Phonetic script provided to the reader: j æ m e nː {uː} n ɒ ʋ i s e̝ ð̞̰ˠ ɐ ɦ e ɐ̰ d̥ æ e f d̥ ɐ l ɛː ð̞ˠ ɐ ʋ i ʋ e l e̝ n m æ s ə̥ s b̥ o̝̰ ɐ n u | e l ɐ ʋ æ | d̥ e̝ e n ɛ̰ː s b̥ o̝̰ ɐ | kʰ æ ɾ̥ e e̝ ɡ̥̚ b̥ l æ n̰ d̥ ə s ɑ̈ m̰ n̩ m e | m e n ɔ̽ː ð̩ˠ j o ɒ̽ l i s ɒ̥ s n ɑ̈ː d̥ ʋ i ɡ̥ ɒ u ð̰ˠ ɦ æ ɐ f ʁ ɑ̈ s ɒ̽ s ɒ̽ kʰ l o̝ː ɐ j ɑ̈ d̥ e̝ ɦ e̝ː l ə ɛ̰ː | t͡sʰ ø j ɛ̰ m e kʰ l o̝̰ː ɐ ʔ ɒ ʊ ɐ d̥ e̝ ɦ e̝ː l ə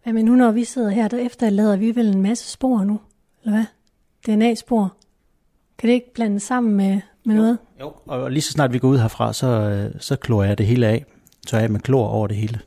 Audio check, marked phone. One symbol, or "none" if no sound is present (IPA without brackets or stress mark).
u